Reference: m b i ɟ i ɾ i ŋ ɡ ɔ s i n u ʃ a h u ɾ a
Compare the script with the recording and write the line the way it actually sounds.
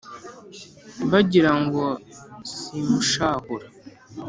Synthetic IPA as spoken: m b a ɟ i ɾ a ŋ ɡ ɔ s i m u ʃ a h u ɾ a